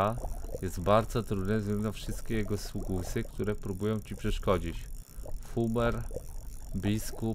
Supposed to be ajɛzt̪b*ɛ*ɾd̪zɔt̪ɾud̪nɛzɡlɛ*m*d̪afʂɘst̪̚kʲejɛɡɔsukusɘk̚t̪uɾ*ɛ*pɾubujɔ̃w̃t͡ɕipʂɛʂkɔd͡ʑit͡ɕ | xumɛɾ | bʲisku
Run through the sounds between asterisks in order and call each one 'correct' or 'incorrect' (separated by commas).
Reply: incorrect, incorrect, correct